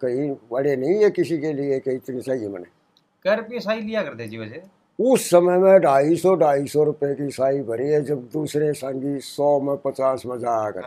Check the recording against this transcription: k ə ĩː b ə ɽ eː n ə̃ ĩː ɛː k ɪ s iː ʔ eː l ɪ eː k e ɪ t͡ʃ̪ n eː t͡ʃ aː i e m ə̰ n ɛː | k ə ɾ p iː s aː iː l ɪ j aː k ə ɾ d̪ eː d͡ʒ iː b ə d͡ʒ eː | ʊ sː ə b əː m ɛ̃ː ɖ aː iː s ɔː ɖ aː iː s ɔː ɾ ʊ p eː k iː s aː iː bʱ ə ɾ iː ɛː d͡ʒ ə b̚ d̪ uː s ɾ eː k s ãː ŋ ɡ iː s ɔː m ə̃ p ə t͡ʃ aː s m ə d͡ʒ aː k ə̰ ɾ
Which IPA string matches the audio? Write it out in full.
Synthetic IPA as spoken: k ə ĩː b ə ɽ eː n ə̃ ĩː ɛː k ɪ s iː k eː l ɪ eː k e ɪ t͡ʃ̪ n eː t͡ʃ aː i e m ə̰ n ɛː | k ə ɾ p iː s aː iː l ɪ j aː k ə ɾ d̪ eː d͡ʒ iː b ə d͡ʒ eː | ʊ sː ə m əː m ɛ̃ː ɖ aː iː s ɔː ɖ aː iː s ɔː ɾ ʊ p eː k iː s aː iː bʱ ə ɾ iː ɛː d͡ʒ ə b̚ d̪ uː s ɾ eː s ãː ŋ ɡ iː s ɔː m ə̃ p ə t͡ʃ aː s m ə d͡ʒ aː k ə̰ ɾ